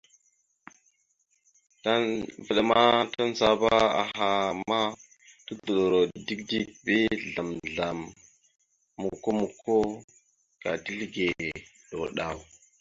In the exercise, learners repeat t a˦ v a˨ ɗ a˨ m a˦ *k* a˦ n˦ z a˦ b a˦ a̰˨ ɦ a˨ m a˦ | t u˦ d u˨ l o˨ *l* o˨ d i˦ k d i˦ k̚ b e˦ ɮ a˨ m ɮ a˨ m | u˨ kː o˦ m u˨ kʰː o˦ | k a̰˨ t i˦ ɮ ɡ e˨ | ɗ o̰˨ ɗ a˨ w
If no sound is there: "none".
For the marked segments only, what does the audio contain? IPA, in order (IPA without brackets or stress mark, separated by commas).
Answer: t, ɾ